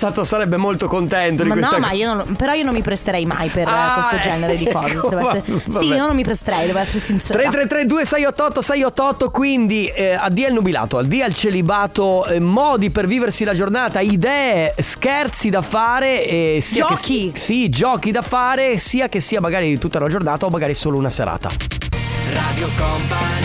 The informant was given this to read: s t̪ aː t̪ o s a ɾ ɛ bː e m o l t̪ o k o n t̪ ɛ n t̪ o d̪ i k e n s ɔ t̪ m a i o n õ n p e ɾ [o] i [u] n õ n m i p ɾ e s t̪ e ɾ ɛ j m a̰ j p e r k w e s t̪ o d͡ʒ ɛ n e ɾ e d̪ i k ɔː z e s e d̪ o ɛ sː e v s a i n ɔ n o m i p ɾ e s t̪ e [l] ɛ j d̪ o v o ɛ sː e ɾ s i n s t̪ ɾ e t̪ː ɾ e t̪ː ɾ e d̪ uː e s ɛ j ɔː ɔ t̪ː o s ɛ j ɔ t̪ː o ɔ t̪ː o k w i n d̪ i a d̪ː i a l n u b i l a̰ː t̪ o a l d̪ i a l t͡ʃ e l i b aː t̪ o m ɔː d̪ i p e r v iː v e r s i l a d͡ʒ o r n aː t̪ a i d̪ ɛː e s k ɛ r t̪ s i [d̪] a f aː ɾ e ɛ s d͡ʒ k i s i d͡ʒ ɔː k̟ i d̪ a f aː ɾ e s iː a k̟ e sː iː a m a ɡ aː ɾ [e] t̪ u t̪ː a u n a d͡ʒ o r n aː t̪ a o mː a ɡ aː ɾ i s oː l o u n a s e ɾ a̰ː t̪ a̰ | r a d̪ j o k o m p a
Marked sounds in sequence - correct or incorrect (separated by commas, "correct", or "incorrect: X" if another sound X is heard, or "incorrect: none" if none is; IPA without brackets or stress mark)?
incorrect: ɔ, incorrect: o, incorrect: ɾ, correct, incorrect: i